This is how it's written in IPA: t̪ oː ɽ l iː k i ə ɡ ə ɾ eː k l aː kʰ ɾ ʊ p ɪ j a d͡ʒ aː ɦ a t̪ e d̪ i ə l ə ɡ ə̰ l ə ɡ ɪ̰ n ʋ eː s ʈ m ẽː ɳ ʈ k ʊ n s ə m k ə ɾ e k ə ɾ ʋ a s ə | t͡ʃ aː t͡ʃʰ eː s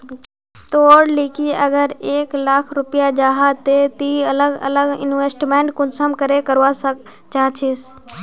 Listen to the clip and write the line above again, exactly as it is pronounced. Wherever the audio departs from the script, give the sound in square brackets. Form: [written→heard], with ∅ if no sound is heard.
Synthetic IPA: t̪ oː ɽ l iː k i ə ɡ ə ɾ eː k l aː kʰ ɾ ʊ p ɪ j a d͡ʒ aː ɦ a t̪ e [d̪→t̪] i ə l ə ɡ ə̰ l ə ɡ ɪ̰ n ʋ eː s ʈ m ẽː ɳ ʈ k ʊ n s ə m k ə ɾ e k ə ɾ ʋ a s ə | t͡ʃ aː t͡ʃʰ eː s